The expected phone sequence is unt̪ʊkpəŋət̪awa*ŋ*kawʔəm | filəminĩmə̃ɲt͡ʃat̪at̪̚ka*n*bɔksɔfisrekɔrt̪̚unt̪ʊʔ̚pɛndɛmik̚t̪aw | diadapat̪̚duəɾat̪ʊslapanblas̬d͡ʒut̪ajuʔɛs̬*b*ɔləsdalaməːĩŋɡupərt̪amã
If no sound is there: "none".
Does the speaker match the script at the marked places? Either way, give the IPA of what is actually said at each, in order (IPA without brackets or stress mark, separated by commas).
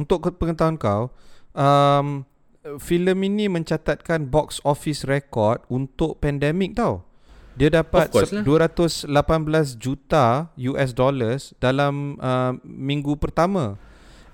n, n, d